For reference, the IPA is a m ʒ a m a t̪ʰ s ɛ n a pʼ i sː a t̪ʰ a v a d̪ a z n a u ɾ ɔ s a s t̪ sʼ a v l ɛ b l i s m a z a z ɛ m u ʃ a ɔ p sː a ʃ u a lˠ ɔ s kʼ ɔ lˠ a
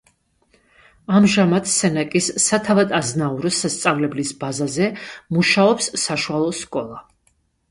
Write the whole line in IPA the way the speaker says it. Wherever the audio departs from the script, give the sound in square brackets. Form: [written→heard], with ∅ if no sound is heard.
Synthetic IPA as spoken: a m ʒ a m a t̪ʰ s ɛ n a [pʼ→kʼ] i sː a t̪ʰ a v a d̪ a z n a u ɾ ɔ s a s t̪ sʼ a v l ɛ b l i s [m→b] a z a z ɛ m u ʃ a ɔ p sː a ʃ u a lˠ ɔ s kʼ ɔ lˠ a